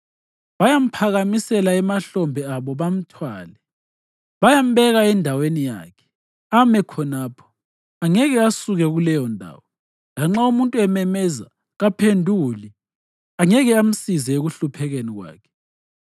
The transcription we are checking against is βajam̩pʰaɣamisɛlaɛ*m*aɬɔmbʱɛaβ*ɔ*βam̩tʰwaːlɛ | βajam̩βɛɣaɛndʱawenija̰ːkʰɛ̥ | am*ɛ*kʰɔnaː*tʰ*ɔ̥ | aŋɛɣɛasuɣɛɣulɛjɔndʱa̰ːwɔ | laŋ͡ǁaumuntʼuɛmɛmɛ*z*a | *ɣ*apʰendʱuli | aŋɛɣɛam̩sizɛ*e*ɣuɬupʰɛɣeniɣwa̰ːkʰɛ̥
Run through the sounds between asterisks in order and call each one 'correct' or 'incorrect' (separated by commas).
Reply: correct, correct, correct, incorrect, correct, correct, correct